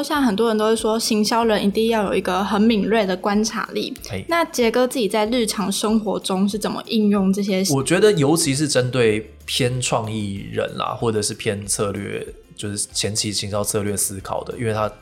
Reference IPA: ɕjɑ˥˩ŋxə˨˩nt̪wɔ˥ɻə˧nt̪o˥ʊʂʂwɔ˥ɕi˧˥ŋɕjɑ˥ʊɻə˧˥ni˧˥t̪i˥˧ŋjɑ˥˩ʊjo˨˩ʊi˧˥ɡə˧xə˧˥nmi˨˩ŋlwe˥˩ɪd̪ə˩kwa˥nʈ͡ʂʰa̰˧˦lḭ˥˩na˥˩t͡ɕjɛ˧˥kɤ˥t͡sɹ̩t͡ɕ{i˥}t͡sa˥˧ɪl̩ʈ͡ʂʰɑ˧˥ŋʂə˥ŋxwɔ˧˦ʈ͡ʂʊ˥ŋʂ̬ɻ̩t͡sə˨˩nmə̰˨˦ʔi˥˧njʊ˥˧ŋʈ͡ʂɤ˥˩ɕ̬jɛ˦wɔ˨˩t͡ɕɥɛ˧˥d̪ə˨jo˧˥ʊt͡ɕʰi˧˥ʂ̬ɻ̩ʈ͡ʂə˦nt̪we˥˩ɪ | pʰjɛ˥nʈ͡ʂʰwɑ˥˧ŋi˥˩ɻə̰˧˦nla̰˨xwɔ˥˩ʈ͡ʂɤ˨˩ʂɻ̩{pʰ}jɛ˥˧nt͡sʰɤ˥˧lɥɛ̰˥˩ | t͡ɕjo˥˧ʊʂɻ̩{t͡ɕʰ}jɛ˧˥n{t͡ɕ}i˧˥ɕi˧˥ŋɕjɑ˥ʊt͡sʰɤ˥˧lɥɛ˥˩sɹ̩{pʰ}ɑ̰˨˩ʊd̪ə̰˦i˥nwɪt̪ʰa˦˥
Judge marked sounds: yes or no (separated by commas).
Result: no, yes, yes, no, no